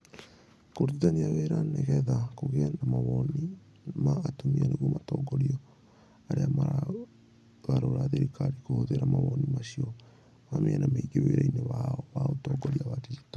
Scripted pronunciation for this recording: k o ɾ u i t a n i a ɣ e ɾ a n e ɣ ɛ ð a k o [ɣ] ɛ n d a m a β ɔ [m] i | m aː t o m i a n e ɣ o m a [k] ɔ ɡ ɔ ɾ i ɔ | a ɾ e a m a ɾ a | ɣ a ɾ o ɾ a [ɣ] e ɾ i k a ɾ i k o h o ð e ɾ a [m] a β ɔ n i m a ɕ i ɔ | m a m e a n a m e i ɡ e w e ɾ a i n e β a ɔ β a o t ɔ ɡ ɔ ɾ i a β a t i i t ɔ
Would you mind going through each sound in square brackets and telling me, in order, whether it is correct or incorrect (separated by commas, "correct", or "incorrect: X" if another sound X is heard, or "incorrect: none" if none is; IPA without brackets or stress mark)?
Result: correct, incorrect: n, incorrect: t, incorrect: ð, correct